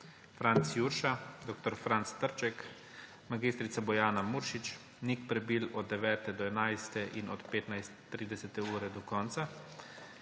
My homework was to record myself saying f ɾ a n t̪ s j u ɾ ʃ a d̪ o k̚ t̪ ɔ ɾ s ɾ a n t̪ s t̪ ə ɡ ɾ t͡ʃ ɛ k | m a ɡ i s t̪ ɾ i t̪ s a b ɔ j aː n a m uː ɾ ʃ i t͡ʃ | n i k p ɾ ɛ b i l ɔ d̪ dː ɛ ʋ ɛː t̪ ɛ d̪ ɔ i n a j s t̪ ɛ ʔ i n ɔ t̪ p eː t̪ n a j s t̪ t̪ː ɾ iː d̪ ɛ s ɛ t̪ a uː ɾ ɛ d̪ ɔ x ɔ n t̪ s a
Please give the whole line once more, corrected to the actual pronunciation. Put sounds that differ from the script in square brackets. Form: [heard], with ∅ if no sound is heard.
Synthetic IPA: f ɾ a n t̪ s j u ɾ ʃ a d̪ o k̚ t̪ ɔ ɾ [f] ɾ a n t̪ s t̪ ə [∅] ɾ t͡ʃ ɛ k | m a ɡ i s t̪ ɾ i t̪ s a b ɔ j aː n a m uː ɾ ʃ i t͡ʃ | n i k p ɾ ɛ b i l ɔ d̪ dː ɛ ʋ ɛː t̪ ɛ d̪ ɔ [ɛ] n a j s t̪ ɛ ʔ i n ɔ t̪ p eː t̪ n a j s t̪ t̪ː ɾ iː d̪ ɛ s ɛ t̪ [ɛ] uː ɾ ɛ d̪ ɔ [k] ɔ n t̪ s a

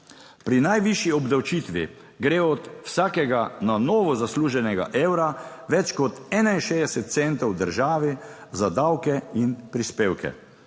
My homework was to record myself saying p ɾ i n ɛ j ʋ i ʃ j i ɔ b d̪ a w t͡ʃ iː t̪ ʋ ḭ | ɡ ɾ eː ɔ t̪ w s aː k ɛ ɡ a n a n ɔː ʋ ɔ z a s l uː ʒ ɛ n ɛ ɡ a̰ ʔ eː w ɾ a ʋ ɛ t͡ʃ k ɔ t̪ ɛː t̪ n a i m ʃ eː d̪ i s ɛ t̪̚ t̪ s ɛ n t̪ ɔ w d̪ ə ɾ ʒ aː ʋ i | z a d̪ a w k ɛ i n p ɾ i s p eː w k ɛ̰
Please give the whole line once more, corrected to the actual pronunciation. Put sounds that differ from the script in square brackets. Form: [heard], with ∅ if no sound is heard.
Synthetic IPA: p ɾ i n [a] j ʋ i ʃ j i ɔ b d̪ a w t͡ʃ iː t̪ ʋ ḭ | ɡ ɾ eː ɔ t̪ w s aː k ɛ ɡ a n a n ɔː ʋ ɔ z a s l uː ʒ ɛ n ɛ ɡ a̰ ʔ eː w ɾ a ʋ ɛ t͡ʃ k ɔ t̪ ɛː [∅] n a i [n] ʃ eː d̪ [ɛ] s ɛ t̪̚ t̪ s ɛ n t̪ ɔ w d̪ ə ɾ ʒ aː ʋ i | z a d̪ a w k ɛ i n p ɾ i s p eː w k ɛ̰

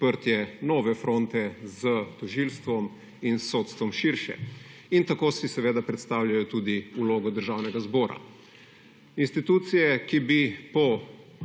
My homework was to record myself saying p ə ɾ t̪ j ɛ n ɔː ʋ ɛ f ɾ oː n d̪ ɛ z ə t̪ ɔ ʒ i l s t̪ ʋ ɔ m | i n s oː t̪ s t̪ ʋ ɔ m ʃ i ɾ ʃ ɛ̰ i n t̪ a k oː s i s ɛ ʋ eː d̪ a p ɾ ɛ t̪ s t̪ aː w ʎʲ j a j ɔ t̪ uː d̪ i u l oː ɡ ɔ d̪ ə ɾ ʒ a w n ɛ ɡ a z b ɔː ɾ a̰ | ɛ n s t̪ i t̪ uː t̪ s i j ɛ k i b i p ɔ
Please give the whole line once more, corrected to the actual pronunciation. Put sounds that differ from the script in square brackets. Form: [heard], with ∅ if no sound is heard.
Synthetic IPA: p ə ɾ t̪ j ɛ n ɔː ʋ ɛ f ɾ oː n [t̪] ɛ z ə t̪ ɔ ʒ i l s t̪ ʋ ɔ m | i n s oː t̪ s t̪ ʋ ɔ m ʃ i ɾ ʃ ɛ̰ i n t̪ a k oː s i s ɛ ʋ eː d̪ a p ɾ ɛ t̪ s t̪ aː w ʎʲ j a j ɔ t̪ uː d̪ i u l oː ɡ ɔ d̪ ə ɾ ʒ a w n ɛ ɡ a z b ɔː ɾ a̰ | [i] n s t̪ i t̪ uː t̪ s i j ɛ k i b i p ɔ

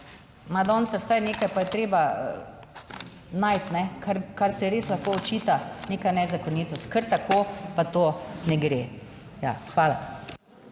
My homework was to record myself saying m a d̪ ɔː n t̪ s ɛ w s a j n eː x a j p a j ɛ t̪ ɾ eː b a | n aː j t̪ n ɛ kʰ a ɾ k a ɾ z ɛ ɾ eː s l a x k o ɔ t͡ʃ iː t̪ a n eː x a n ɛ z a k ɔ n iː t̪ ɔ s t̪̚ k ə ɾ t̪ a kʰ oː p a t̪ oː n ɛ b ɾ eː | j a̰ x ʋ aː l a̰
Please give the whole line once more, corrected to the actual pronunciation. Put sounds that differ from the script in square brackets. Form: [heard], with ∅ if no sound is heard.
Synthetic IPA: m a d̪ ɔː n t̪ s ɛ w s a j n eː [k] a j p a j ɛ t̪ ɾ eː b a | n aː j t̪ n ɛ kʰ a ɾ k a ɾ [s] ɛ ɾ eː s l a x k o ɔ t͡ʃ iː t̪ a n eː [k] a n ɛ z a k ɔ n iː t̪ ɔ s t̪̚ k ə ɾ t̪ a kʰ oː p a t̪ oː n ɛ [ɡ] ɾ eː | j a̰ x ʋ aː l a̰

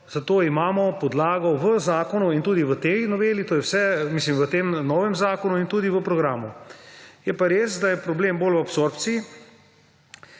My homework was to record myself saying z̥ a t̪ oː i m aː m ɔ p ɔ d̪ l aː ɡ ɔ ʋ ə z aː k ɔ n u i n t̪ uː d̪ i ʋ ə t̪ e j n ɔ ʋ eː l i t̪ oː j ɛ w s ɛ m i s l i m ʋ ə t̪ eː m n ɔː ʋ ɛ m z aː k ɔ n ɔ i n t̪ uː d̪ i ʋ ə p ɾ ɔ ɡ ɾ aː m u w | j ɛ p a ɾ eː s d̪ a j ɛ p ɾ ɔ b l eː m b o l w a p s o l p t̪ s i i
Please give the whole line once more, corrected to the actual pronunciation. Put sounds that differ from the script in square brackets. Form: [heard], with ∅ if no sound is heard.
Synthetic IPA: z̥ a t̪ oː i m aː m ɔ p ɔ d̪ l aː ɡ ɔ ʋ ə z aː k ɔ n u i n t̪ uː d̪ i ʋ ə t̪ e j n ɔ ʋ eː l i t̪ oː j ɛ w s ɛ m i s l i m ʋ ə t̪ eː m n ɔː ʋ ɛ m z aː k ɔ n [u] i n t̪ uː d̪ i ʋ ə p ɾ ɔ ɡ ɾ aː m u [∅] | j ɛ p a ɾ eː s d̪ a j ɛ p ɾ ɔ b l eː m b o l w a p s o [ɾ] p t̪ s i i

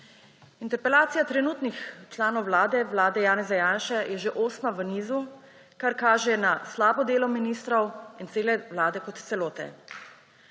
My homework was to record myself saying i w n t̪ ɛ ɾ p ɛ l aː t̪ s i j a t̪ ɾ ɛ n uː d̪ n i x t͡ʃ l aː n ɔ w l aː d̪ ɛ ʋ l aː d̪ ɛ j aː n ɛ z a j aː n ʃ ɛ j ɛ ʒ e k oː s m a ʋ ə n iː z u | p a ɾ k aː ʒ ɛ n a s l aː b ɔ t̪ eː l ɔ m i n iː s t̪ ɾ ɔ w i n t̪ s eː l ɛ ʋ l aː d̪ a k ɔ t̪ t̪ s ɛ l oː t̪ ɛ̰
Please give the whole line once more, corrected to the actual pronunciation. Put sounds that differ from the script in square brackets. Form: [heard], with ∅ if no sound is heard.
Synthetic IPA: i [∅] n t̪ ɛ ɾ p ɛ l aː t̪ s i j a t̪ ɾ ɛ n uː [t̪] n i x t͡ʃ l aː n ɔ w l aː d̪ ɛ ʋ l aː d̪ ɛ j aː n ɛ z a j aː n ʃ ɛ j ɛ ʒ e [ʔ] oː s m a ʋ ə n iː z u | [k] a ɾ k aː ʒ ɛ n a s l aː b ɔ [d̪] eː l ɔ m i n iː s t̪ ɾ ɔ w i n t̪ s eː l ɛ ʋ l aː d̪ [ɛ] k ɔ t̪ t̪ s ɛ l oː t̪ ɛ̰

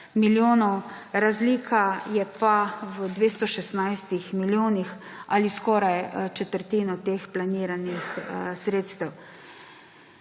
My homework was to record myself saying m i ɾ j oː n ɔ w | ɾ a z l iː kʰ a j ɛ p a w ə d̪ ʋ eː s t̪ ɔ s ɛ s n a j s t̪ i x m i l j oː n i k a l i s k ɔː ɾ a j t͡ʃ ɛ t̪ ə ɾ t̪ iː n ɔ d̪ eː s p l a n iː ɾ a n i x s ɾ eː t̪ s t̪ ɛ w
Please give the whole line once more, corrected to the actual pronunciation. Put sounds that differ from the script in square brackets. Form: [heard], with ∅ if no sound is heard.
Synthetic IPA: m i [l] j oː n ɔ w | ɾ a z l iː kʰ a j ɛ p a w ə d̪ ʋ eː s t̪ ɔ [ʃ] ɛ s n a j s t̪ i x m i l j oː n i [x] a l i s k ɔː ɾ a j t͡ʃ ɛ t̪ ə ɾ t̪ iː n ɔ [t̪] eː [x] p l a n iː ɾ a n i x s ɾ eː t̪ s t̪ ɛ w

